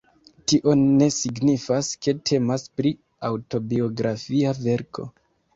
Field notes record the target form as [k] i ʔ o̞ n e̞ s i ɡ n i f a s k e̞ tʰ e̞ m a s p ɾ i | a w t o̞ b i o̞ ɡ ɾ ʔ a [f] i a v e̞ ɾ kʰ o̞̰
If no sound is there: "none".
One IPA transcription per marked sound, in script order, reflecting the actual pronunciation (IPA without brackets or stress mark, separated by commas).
t, f